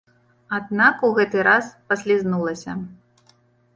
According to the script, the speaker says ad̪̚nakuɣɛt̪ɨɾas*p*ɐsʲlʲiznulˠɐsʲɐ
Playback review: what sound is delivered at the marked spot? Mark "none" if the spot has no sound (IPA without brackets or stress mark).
p